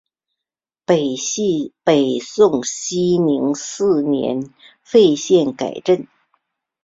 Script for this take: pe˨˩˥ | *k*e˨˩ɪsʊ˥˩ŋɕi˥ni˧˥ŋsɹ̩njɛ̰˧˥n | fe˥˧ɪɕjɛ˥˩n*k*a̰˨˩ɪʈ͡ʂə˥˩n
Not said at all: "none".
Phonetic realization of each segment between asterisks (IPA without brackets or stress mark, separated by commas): p, k